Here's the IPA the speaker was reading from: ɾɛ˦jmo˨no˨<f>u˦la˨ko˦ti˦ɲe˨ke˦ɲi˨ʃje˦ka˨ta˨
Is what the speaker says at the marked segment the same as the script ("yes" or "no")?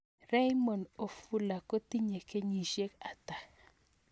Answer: yes